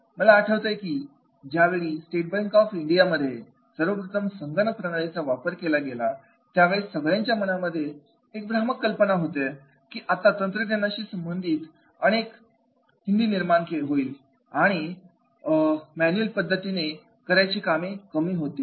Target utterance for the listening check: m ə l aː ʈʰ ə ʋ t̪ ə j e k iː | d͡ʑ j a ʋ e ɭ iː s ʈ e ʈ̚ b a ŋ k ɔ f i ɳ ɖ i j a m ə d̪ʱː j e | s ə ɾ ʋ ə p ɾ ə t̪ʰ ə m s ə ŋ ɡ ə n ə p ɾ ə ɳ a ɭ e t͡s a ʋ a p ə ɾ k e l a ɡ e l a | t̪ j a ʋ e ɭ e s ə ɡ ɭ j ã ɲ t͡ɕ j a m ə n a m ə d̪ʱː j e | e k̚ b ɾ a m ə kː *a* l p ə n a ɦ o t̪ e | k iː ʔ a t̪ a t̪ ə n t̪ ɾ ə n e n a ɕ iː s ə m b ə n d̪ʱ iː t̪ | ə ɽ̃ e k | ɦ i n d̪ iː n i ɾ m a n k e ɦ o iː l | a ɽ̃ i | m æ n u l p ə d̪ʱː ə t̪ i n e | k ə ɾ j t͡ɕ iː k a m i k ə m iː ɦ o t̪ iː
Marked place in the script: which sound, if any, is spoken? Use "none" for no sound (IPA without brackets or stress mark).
ə